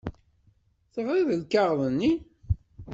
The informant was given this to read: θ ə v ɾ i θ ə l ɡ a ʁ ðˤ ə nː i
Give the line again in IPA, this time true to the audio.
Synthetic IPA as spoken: θ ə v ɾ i ð ə l k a ʁ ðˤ ə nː i